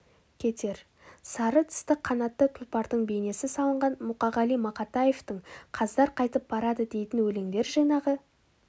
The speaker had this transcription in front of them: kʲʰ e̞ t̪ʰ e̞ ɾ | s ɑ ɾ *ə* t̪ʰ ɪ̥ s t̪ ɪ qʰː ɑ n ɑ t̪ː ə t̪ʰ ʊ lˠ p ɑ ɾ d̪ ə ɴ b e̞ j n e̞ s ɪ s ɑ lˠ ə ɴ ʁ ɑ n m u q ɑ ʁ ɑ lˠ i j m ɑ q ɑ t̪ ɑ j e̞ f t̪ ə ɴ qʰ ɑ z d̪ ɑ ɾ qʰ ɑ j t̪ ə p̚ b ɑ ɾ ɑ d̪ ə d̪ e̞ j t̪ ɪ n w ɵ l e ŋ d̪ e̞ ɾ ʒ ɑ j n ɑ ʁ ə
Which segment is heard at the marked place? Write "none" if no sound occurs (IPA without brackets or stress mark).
ə